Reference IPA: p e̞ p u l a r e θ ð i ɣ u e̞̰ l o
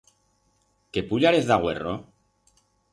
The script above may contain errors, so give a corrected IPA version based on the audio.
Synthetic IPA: k e̞ p u ʎ a ɾ e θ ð a ɣ w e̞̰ r o